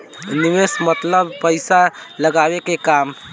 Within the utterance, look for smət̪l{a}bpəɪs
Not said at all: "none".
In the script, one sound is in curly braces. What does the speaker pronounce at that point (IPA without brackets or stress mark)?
ə